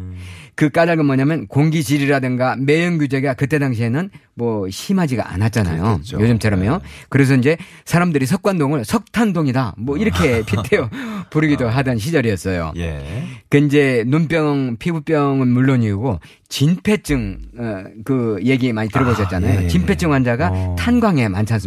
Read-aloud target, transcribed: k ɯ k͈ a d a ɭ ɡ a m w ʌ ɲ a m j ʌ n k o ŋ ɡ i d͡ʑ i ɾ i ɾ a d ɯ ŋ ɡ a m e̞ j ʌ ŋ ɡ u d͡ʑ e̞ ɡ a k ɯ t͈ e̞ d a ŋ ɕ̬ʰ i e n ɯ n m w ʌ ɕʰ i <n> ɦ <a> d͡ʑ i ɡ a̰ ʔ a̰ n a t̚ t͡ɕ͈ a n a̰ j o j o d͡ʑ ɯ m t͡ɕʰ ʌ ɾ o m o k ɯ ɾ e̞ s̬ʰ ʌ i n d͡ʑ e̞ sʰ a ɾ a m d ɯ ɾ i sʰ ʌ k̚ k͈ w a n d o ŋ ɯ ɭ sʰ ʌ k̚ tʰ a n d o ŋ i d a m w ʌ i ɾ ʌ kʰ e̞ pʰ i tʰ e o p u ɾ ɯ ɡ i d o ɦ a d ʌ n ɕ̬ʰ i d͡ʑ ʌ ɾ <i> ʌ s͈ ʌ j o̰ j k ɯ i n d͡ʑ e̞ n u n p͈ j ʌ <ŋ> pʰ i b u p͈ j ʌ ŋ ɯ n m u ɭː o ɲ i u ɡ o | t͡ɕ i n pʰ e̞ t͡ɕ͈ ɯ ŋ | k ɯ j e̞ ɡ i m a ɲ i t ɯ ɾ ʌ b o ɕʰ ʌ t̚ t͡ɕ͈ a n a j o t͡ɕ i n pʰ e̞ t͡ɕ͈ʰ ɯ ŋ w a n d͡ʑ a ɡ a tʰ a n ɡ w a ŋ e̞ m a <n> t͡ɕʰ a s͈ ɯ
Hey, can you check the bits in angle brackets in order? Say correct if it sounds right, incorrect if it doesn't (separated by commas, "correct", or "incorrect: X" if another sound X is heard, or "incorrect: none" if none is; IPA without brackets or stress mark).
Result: incorrect: m, correct, correct, correct, correct